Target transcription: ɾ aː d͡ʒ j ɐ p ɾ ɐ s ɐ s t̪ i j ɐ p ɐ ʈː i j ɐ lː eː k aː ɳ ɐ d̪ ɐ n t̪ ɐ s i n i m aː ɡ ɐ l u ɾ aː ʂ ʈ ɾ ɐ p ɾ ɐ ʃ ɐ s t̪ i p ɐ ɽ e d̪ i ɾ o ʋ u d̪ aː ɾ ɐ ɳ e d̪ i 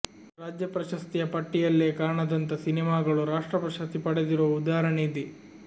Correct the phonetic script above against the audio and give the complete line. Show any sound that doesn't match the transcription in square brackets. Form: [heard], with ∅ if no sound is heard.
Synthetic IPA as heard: ɾ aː d͡ʒ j ɐ p ɾ ɐ [ʃ] ɐ s t̪ i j ɐ p ɐ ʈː i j ɐ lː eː k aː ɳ ɐ d̪ ɐ n t̪ ɐ s i n i m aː ɡ ɐ [ɭ] u ɾ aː ʂ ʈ ɾ ɐ p ɾ ɐ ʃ ɐ s t̪ i p ɐ ɽ e d̪ i ɾ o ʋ u d̪ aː ɾ ɐ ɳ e d̪ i